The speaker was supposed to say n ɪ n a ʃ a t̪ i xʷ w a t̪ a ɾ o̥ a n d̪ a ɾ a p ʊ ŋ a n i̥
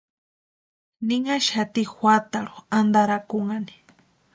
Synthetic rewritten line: n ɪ ŋ a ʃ a t̪ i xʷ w a t̪ a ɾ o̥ a n d̪ a ɾ a k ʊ ŋ a n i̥